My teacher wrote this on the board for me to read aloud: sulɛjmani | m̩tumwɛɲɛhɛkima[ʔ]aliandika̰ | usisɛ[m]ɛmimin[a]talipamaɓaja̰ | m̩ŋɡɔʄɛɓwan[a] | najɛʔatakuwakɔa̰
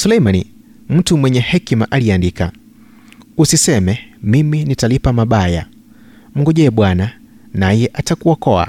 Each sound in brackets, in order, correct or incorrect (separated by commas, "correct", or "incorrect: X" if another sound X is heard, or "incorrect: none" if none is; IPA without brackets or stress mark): correct, correct, incorrect: i, correct